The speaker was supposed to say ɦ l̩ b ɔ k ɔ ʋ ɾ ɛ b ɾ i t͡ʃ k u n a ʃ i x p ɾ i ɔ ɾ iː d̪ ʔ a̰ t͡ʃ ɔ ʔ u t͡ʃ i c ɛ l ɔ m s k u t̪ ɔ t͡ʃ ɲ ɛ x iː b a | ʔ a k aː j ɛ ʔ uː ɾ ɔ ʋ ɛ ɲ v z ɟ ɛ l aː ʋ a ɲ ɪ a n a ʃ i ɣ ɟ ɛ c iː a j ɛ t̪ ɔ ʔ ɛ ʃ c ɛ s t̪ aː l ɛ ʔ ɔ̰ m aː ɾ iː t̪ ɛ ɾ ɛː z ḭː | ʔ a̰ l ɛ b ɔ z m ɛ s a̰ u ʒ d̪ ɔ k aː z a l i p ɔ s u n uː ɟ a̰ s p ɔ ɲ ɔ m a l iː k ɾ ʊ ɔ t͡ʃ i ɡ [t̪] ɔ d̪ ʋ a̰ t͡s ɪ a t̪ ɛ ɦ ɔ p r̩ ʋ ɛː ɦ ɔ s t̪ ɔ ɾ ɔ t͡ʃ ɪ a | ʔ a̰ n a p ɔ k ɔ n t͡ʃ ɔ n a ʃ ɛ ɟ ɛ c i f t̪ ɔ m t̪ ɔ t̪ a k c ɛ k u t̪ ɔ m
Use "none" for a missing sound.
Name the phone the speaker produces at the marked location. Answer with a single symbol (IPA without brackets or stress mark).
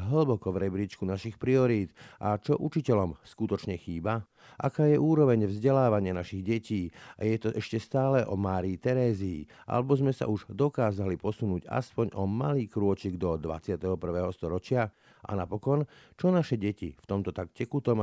d̪